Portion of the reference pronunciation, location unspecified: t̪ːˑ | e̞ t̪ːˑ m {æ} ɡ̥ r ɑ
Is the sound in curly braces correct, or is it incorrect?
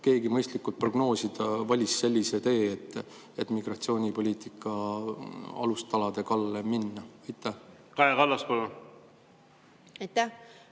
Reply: incorrect